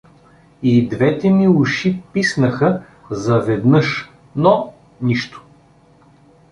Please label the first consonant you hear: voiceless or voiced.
voiced